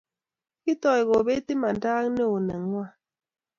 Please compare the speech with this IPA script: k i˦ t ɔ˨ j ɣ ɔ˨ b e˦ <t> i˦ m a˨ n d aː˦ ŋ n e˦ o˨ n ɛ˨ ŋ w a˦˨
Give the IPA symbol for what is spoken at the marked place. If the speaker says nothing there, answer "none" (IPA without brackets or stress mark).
t